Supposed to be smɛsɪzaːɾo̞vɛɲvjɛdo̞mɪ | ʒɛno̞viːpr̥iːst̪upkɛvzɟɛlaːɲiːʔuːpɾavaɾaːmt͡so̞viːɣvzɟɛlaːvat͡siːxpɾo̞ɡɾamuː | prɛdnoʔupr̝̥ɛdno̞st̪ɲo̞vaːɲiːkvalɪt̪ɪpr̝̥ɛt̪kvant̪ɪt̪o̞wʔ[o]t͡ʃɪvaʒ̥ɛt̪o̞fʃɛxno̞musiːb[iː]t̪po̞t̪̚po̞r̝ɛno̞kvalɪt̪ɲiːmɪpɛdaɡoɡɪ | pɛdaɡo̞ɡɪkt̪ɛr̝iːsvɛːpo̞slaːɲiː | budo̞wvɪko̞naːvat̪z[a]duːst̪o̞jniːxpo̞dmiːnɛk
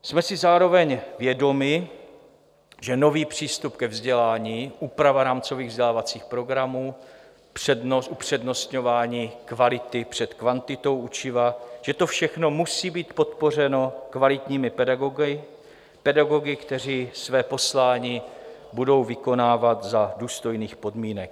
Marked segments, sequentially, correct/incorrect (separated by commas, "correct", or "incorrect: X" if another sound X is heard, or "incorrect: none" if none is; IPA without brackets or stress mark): incorrect: u, correct, correct